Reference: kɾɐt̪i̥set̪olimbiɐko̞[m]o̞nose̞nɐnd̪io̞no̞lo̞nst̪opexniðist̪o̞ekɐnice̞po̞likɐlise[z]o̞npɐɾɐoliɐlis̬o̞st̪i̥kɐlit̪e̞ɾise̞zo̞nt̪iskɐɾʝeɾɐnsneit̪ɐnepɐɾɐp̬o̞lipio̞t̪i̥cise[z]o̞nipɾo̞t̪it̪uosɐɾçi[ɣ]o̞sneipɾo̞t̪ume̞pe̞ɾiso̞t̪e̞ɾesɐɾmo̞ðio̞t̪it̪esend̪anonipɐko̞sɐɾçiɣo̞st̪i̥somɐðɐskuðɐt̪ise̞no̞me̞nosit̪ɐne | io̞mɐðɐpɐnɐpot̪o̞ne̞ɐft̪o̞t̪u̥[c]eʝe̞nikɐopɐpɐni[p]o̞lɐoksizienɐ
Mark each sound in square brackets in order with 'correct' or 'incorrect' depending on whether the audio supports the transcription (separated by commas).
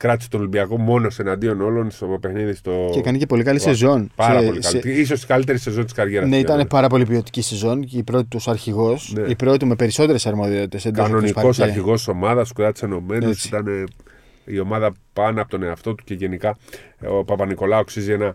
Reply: correct, correct, correct, correct, correct, incorrect